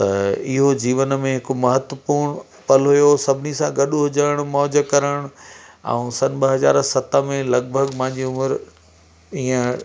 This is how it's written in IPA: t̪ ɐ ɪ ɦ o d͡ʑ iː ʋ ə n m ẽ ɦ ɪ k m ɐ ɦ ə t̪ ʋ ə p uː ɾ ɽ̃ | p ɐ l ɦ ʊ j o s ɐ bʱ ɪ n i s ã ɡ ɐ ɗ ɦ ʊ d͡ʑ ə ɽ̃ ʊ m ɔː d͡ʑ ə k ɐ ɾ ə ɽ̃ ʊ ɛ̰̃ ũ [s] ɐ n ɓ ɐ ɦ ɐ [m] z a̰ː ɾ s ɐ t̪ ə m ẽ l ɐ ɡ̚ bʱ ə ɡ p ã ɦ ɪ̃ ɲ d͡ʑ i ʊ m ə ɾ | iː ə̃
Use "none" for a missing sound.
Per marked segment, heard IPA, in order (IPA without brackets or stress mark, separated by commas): s, none